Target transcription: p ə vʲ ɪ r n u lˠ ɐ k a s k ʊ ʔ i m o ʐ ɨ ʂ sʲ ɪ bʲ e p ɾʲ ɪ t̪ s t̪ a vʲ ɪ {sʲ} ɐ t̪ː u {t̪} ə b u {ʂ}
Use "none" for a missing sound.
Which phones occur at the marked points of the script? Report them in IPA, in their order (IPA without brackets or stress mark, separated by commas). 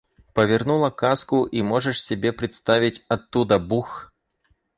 tʲ, d̪, x